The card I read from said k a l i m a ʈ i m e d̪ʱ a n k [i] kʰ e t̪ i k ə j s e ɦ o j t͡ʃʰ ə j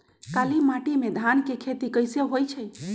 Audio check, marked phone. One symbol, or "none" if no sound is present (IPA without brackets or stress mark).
e